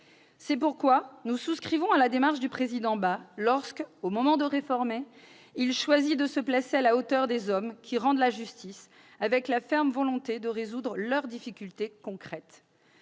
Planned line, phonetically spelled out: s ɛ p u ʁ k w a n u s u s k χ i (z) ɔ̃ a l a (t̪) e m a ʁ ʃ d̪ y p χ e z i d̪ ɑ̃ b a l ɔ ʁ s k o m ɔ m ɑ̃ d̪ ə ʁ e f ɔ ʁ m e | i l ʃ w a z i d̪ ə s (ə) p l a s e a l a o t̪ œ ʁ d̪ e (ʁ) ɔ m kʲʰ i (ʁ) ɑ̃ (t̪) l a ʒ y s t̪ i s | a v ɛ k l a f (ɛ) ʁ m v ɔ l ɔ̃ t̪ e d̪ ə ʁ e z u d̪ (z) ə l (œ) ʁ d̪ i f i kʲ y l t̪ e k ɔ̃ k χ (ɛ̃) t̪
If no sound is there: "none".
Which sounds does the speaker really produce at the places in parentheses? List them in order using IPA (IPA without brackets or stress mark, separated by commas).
v, d̪, ə, z, ʁ, d̪, ɛ, ʁ, œ, ɛ